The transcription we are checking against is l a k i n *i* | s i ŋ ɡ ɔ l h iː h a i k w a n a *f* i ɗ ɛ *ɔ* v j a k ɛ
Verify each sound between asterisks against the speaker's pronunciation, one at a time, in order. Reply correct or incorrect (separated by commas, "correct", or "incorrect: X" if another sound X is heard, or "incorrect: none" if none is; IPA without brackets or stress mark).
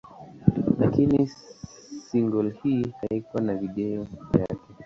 correct, incorrect: v, correct